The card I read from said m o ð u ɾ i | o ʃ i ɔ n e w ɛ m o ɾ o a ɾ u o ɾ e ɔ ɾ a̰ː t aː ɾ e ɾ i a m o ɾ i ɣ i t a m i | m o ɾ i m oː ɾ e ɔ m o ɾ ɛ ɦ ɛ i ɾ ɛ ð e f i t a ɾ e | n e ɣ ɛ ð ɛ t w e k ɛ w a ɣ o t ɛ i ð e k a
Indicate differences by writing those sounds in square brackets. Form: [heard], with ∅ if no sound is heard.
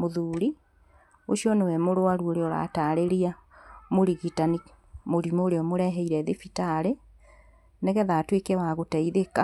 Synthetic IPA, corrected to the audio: m o ð u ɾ i | o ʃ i ɔ n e w ɛ m o ɾ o a ɾ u o ɾ e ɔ ɾ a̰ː t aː ɾ e ɾ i a m o ɾ i ɣ i t a [n] i | m o ɾ i m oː ɾ e ɔ m o ɾ ɛ ɦ ɛ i ɾ ɛ ð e f i t a ɾ e | n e ɣ ɛ ð [a] t w e k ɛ w a ɣ o t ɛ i ð e k a